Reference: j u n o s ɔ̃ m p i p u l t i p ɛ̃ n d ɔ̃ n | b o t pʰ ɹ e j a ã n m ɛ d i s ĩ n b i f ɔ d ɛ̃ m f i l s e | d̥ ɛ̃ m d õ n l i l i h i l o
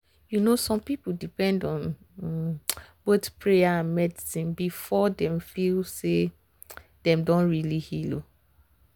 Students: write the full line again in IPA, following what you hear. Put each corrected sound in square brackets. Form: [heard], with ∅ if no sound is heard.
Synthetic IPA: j u n o s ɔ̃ m p i p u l [d] i p ɛ̃ n d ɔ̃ n | b o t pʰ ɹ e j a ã n m ɛ d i s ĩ n b i f ɔ d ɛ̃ m f i l s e | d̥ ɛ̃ m d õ n [ɹ] i l i h i l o